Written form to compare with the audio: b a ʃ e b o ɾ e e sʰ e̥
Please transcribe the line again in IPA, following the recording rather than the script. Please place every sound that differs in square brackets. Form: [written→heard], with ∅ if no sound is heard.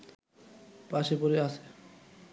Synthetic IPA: [b→p] a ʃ e [b→p] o ɾ e [e→a] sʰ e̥